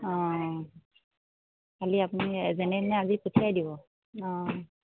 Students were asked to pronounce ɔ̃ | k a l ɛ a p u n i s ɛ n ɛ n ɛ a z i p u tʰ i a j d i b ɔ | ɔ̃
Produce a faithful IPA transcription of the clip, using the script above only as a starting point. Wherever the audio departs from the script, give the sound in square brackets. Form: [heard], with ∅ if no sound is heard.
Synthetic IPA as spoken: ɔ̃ | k a l [i] a p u n i [z] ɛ n ɛ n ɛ a z i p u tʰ i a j d i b ɔ | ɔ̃